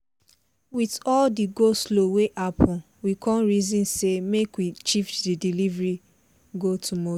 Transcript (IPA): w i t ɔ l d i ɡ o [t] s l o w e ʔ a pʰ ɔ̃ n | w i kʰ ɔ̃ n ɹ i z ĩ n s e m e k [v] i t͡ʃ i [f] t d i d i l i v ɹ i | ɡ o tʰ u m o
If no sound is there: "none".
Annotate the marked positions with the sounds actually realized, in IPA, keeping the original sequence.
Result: none, w, f

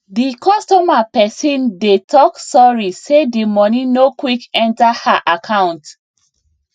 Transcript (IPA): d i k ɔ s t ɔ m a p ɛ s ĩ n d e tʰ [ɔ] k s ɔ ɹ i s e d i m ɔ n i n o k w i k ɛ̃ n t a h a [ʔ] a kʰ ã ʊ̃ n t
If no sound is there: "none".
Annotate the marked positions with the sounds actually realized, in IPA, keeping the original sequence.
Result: ɔ, ʔ

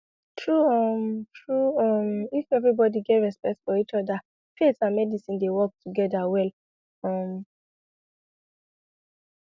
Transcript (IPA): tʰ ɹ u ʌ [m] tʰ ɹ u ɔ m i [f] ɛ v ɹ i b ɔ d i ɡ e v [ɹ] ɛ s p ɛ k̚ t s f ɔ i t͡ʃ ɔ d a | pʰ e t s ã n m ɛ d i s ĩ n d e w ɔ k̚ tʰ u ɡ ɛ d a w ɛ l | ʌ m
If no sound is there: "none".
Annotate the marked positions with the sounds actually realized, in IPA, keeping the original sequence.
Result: m, f, ɹ

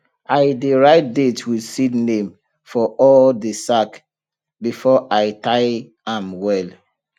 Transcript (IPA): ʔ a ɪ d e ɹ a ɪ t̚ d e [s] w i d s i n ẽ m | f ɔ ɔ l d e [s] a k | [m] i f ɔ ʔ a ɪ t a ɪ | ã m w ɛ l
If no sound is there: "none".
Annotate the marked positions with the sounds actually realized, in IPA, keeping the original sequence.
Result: t, s, b

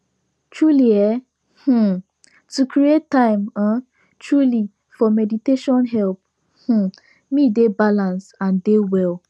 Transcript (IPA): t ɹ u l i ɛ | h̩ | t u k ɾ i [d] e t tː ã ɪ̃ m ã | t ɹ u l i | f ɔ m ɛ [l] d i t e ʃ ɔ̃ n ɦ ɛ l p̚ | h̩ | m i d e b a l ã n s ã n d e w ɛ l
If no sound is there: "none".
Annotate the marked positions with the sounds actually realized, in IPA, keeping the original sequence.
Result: none, none

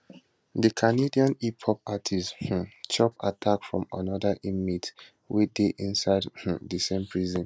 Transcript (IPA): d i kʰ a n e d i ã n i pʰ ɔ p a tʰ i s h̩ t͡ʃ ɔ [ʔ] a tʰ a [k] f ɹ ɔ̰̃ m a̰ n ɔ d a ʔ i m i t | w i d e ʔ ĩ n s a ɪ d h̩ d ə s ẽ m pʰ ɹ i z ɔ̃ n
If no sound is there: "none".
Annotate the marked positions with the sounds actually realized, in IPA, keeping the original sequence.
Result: p, k

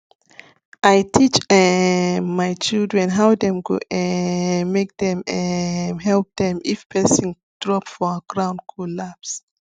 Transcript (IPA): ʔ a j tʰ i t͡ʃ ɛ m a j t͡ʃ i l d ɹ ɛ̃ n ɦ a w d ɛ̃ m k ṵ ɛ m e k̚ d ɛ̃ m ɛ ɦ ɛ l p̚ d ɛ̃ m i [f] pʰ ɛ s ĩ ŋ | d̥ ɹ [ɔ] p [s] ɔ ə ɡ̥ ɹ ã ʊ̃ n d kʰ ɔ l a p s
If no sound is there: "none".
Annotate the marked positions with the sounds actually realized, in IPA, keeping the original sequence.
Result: f, ɔ, f

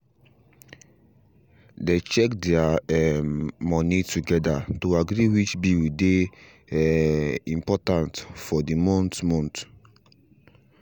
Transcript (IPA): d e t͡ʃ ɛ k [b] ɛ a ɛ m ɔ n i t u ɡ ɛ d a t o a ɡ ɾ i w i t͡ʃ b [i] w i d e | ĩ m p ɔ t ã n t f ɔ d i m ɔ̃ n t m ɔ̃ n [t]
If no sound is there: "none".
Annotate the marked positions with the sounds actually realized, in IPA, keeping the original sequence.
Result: d, i, t

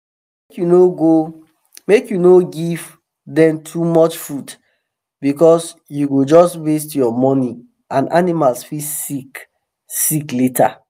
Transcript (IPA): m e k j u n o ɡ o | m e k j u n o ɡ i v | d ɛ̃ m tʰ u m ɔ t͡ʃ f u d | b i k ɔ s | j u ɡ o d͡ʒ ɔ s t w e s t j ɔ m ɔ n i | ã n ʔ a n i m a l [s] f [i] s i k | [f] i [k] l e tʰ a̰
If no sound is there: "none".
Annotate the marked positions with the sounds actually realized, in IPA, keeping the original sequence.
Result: s, i, s, k

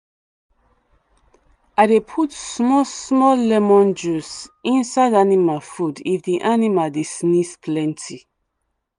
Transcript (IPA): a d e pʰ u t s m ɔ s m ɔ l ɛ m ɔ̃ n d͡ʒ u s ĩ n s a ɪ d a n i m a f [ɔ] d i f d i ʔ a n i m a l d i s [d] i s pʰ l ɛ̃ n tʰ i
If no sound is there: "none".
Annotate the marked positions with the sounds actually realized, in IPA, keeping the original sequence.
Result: u, n

